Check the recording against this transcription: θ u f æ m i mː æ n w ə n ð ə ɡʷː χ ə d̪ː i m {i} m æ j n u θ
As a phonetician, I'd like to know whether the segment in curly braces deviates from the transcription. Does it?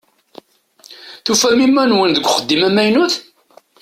yes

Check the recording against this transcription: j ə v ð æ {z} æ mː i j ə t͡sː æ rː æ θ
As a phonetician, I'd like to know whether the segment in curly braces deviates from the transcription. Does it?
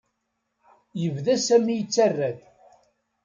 yes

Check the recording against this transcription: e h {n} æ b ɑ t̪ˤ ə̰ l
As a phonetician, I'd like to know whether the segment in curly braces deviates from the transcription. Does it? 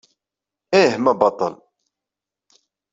yes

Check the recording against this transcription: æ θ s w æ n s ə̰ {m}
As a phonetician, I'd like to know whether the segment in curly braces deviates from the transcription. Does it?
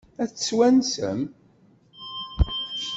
no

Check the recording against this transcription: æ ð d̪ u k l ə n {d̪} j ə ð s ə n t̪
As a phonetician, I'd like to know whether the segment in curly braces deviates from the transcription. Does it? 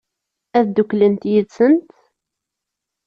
yes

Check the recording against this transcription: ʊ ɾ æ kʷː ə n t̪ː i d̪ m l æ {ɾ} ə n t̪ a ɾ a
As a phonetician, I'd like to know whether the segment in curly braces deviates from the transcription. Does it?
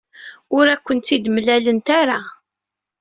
yes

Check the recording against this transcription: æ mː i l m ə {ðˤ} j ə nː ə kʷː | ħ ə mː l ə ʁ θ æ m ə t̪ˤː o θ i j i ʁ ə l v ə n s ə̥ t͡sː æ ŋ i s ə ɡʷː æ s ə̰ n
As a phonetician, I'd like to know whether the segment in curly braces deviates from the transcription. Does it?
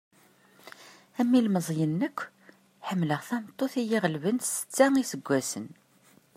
yes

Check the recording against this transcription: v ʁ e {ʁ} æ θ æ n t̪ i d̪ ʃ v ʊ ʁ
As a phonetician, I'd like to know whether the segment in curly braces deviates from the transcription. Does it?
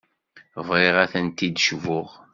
no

